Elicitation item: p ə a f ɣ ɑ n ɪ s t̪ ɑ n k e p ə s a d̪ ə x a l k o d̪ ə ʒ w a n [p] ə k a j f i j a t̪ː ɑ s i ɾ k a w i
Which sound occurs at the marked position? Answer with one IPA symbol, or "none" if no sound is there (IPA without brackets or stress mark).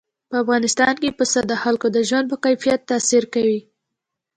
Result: p